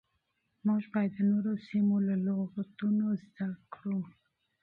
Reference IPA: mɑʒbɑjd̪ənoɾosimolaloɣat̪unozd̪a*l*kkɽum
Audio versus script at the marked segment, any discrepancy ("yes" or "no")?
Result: yes